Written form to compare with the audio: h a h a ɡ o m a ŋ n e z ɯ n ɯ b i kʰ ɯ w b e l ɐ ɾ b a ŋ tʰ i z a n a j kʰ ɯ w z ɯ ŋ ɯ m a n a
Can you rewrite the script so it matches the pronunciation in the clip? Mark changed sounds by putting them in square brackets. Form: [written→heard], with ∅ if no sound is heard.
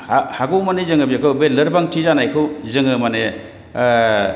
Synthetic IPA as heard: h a h a ɡ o m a [ŋ→∅] n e z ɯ [n→ŋ] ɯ b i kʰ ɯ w b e l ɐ ɾ b a ŋ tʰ i z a n a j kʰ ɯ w z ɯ ŋ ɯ m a n [a→e]